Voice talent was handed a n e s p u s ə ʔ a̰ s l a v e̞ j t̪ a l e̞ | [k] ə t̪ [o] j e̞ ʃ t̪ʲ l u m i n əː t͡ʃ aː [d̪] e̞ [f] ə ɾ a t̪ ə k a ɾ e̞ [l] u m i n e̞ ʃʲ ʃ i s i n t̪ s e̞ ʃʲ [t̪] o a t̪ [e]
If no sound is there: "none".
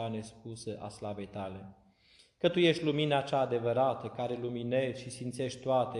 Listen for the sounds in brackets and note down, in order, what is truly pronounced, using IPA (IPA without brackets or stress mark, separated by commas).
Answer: k, u, d̪, v, l, t̪, e